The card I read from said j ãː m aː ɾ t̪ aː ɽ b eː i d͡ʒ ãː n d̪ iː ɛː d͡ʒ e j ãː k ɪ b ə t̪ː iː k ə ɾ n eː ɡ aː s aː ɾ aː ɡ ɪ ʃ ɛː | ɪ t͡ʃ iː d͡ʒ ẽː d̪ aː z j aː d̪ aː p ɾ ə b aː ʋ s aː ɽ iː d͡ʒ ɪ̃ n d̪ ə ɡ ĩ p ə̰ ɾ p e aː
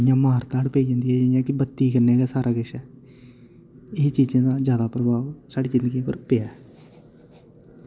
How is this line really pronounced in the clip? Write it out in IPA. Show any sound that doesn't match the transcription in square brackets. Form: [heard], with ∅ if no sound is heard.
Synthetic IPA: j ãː m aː ɾ t̪ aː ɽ [p] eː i d͡ʒ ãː n d̪ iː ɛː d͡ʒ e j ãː k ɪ b ə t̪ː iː k ə ɾ n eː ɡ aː s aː ɾ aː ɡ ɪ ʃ ɛː | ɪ t͡ʃ iː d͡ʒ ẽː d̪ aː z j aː d̪ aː p ɾ ə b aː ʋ s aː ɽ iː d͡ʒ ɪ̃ n d̪ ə ɡ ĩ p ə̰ ɾ p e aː